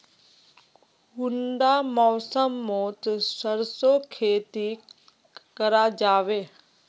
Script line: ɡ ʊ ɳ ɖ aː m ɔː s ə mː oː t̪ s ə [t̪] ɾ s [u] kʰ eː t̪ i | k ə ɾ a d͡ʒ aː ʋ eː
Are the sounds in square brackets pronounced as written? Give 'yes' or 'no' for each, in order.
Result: no, no

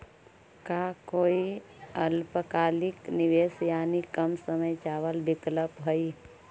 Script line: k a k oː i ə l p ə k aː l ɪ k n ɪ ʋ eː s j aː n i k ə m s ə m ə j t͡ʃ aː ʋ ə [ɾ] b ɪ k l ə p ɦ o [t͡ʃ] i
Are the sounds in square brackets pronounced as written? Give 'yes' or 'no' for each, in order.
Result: no, no

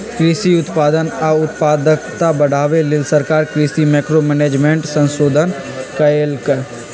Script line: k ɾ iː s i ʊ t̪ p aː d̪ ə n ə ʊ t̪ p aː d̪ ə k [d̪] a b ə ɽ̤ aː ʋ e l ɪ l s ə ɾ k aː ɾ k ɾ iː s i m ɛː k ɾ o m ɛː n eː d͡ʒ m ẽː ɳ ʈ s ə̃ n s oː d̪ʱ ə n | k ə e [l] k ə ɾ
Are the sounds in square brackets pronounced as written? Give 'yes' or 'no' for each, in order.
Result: no, yes

